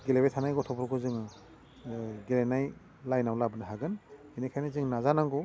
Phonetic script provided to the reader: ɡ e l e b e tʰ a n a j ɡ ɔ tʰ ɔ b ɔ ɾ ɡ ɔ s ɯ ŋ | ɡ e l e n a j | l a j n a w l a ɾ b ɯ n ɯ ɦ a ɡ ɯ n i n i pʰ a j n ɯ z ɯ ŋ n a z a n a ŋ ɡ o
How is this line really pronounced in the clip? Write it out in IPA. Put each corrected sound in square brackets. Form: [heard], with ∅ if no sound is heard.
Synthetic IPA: ɡ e l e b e tʰ a n a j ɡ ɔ tʰ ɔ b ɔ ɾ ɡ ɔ [z] ɯ ŋ | ɡ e l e n a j | l a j n a w l a [∅] b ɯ n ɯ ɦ a ɡ ɯ n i n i [kʰ] a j n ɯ z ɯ ŋ n a z a n a ŋ ɡ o